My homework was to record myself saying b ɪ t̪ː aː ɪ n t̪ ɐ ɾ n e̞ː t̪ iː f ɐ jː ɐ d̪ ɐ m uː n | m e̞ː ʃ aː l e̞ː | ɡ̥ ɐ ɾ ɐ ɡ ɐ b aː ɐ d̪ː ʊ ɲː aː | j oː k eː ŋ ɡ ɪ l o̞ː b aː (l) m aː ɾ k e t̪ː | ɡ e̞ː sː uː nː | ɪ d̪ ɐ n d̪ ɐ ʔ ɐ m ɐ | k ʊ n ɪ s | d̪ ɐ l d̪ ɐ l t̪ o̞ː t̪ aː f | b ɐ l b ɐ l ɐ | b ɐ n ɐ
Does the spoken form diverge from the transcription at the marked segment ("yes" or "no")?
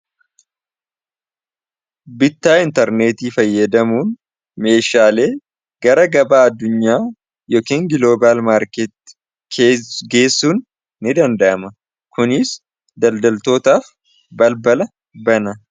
no